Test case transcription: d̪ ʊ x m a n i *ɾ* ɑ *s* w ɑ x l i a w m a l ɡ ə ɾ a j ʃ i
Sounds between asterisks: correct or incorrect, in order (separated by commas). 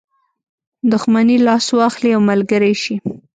incorrect, correct